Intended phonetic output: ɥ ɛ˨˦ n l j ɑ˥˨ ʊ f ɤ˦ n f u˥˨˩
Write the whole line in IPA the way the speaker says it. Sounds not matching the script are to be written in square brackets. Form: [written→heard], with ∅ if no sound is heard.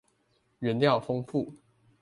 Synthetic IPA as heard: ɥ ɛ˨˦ n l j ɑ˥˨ ʊ f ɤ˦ [n→ŋ] f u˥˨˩

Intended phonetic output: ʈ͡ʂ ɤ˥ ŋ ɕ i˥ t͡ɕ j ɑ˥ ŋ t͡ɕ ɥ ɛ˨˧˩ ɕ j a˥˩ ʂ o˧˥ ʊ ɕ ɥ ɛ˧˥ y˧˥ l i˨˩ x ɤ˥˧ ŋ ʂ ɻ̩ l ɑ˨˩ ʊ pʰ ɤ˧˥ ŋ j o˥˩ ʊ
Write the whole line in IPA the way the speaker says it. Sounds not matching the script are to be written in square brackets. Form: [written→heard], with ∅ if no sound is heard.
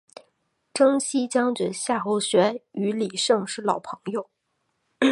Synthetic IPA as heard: ʈ͡ʂ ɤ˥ ŋ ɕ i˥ t͡ɕ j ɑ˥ ŋ t͡ɕ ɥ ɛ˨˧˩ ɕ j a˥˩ [ʂ→x] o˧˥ ʊ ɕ ɥ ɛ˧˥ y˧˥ l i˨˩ [x→ʂ] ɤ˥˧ ŋ ʂ ɻ̩ l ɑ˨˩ ʊ pʰ ɤ˧˥ ŋ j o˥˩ ʊ

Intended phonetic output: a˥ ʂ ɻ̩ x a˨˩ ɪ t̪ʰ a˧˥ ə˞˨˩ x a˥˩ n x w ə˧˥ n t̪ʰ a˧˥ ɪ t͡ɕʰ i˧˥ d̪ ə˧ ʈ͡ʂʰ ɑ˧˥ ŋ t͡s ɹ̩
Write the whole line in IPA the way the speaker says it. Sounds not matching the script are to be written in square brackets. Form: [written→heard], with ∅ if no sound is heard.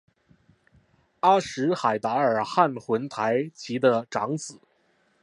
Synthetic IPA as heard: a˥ ʂ ɻ̩ x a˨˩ ɪ [t̪ʰ→t̪] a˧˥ ə˞˨˩ x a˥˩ n x w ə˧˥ n t̪ʰ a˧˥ ɪ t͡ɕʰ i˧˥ d̪ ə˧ [ʈ͡ʂʰ→ʈ͡ʂ] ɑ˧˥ ŋ t͡s ɹ̩

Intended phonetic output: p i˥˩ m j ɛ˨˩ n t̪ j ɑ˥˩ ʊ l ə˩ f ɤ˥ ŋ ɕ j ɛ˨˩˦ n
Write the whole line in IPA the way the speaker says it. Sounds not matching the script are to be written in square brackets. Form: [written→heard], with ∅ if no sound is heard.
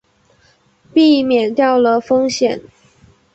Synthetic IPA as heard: p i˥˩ m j ɛ˨˩ n t̪ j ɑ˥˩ ʊ l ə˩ f ɤ˥ ŋ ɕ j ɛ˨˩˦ n

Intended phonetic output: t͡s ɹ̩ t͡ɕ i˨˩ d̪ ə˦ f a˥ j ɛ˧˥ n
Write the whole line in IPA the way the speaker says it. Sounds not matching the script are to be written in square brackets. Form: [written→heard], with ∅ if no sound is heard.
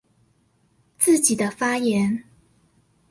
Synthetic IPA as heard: t͡s ɹ̩ t͡ɕ i˨˩ d̪ ə˦ f a˥ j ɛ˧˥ n

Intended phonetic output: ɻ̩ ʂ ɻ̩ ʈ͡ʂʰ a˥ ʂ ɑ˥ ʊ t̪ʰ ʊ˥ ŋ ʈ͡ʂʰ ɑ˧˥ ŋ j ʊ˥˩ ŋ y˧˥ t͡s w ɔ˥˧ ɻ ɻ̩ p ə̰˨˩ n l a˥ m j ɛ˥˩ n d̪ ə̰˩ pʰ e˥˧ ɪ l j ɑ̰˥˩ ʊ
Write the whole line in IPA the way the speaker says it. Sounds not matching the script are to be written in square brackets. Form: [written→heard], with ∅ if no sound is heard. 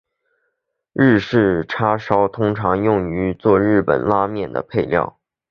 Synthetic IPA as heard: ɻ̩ ʂ ɻ̩ ʈ͡ʂʰ a˥ ʂ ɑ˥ ʊ t̪ʰ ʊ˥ ŋ ʈ͡ʂʰ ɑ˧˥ ŋ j ʊ˥˩ ŋ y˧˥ t͡s w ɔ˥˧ ɻ ɻ̩ p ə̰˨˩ n l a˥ m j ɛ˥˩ n d̪ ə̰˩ pʰ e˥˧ ɪ l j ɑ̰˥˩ ʊ

